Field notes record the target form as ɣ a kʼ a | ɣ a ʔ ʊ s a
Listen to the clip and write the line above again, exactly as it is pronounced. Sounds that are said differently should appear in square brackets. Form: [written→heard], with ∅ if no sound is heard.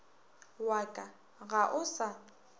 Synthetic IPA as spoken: [ɣ→w] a kʼ a | ɣ a ʔ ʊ s a